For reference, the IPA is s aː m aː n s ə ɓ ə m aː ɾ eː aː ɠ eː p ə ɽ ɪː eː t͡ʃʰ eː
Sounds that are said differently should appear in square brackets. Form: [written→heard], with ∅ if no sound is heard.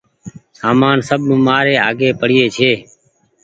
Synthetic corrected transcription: s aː m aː n s ə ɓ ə m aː ɾ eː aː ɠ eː p ə ɽ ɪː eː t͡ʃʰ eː